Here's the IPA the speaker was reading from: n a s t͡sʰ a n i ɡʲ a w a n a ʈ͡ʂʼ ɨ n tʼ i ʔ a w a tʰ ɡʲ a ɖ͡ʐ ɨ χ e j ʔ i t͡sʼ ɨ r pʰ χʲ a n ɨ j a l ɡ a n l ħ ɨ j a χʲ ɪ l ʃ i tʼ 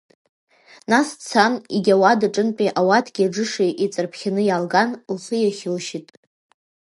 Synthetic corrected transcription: n a s t͡sʰ a n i ɡʲ a w a d a ʈ͡ʂʼ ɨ n pʼ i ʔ a w a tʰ ɡʲ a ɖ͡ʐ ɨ ʂ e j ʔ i t͡sʼ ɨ r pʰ χʲ a n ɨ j a l ɡ a n l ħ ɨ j a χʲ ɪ l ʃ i tʼ